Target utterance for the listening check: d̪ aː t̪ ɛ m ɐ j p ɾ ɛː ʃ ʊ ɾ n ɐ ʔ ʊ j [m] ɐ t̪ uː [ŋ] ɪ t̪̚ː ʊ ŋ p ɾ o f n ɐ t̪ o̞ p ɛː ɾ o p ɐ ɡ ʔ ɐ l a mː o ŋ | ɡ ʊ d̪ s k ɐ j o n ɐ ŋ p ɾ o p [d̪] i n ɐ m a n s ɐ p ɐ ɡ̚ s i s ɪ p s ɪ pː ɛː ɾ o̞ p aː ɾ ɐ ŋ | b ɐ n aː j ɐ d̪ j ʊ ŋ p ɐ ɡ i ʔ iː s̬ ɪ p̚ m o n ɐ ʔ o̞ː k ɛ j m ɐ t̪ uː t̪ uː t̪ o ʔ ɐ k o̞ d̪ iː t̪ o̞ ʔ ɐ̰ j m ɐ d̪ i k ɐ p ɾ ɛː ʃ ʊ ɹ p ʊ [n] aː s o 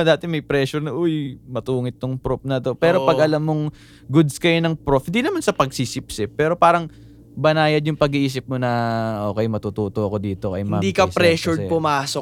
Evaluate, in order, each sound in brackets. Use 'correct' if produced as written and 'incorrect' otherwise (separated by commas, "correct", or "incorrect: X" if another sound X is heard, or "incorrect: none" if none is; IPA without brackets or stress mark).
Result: correct, correct, correct, incorrect: m